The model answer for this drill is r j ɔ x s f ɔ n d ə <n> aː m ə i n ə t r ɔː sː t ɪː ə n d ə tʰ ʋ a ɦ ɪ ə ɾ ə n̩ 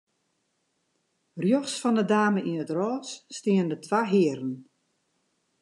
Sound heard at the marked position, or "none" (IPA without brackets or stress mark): d